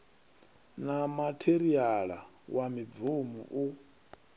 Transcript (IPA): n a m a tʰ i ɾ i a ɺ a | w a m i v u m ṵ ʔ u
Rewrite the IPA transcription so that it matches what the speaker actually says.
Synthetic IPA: n a m a tʰ e ɾ i a ɺ a | w a m i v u m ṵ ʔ u